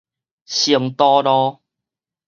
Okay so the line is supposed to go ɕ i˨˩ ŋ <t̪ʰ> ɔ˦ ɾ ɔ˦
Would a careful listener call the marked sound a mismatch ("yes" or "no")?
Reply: yes